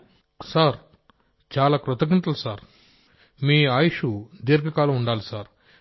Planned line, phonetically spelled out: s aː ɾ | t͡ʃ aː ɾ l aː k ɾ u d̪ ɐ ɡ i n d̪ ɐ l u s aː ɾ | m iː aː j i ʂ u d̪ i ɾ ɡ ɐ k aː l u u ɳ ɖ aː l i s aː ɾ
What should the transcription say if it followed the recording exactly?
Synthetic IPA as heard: s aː ɾ | t͡ʃ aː l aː k ɾ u t̪ ɐ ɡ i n t̪ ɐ l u s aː ɾ | m iː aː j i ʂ u d̪ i ɾ ɡ ɐ k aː l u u ɳ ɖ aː l i s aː ɾ